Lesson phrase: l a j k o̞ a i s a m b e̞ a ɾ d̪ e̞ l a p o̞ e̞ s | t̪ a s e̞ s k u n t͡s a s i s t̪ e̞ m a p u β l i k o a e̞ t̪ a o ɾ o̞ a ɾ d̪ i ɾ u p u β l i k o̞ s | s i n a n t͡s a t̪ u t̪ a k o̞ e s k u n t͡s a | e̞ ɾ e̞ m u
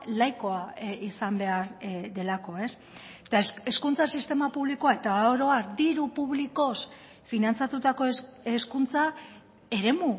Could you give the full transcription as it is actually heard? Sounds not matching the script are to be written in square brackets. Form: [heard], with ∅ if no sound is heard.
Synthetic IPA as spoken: l a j k o̞ a i s a m b e̞ a ɾ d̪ e̞ l a [k] o̞ e̞ s | t̪ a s e̞ s k u n t͡s a s i s t̪ e̞ m a p u β l i k o a e̞ t̪ a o ɾ o̞ a ɾ d̪ i ɾ u p u β l i k o̞ s | [f] i n a n t͡s a t̪ u t̪ a k o̞ e s k u n t͡s a | e̞ ɾ e̞ m u